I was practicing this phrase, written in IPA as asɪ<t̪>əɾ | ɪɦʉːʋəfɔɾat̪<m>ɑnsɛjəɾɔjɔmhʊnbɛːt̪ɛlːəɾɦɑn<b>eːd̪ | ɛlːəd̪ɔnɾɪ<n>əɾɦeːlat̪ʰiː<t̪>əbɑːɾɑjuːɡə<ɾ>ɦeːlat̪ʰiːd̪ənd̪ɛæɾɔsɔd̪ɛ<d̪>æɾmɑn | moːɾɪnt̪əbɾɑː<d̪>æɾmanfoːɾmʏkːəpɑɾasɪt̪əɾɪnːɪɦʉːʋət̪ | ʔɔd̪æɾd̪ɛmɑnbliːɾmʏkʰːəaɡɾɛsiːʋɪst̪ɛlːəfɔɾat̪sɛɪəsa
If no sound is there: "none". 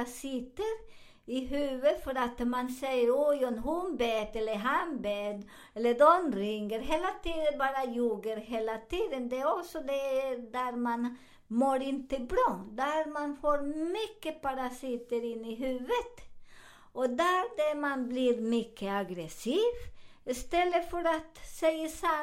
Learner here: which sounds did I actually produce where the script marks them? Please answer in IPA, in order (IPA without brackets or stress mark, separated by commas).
t̪, m, b, ŋ, d̪, ɾ, d̪, d̪